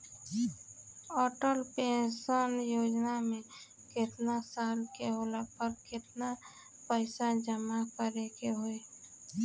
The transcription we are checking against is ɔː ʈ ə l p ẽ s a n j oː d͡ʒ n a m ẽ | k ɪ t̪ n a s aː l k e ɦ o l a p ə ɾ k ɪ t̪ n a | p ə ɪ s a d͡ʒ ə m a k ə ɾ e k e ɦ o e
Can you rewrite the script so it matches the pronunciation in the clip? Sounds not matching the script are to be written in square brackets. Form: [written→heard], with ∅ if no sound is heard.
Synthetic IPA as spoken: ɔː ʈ ə l p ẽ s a n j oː d͡ʒ n a m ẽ | k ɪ t̪ n a s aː l k e ɦ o l a p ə ɾ k ɪ t̪ n a | p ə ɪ s a d͡ʒ ə m a k ə ɾ e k e ɦ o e